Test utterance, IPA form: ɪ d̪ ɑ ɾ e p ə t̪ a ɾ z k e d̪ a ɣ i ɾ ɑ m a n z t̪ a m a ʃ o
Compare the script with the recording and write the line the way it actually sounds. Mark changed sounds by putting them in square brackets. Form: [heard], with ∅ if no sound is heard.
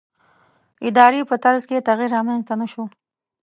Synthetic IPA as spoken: ɪ d̪ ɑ ɾ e p ə t̪ a ɾ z k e [t̪] a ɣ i ɾ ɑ m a n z t̪ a [n] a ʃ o